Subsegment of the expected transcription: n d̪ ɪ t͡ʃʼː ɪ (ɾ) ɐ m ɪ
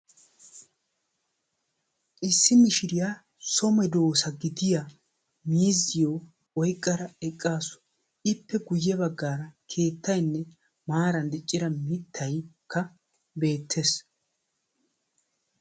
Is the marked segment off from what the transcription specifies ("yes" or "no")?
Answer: no